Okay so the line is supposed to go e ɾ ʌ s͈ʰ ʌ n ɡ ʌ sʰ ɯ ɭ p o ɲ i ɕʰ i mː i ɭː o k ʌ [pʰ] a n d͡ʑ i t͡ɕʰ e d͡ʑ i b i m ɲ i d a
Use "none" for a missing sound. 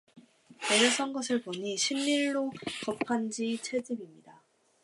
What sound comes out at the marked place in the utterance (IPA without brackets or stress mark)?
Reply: pʰ